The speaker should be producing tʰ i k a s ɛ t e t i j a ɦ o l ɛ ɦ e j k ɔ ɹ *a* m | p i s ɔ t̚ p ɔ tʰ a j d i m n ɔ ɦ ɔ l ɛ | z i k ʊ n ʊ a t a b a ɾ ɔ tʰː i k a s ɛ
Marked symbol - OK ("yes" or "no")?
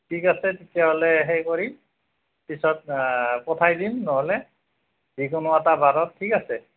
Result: no